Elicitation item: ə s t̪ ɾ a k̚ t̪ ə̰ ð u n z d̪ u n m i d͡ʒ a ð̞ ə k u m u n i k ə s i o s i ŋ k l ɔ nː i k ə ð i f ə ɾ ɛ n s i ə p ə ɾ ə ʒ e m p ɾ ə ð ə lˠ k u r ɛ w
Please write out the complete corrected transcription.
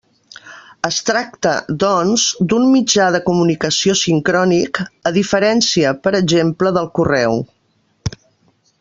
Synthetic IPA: ə s t̪ ɾ a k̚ t̪ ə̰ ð ɔ n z d̪ u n m i d͡ʒ a ð̞ ə k u m u n i k ə s i o s i ŋ k ɾ ɔ n i k ə ð i f ə ɾ ɛ n s i ə p ə ɾ ə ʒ e m p l ə ð ə lˠ k u r ɛ w